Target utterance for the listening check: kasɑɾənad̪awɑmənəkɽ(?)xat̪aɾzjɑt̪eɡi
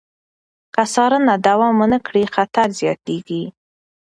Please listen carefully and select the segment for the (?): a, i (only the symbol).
i